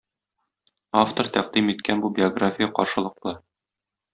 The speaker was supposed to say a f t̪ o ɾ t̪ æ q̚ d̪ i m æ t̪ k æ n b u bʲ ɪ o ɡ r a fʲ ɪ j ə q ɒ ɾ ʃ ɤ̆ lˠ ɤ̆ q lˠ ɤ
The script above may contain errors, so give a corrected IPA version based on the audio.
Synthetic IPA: a f t̪ o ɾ t̪ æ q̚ d̪ i m i t̪ k æ n b u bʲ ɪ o ɡ r a fʲ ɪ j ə q ɒ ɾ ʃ ɤ̆ lˠ ɤ̆ q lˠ ɤ